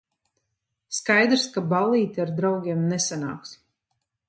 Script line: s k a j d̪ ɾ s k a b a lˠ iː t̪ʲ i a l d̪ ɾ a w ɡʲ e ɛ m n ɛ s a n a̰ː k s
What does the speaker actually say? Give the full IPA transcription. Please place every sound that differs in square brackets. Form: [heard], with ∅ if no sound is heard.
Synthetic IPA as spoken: s k a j d̪ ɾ s k a b a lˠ iː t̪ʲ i a [ɾ] d̪ ɾ a w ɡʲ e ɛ m n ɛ s a n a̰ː k s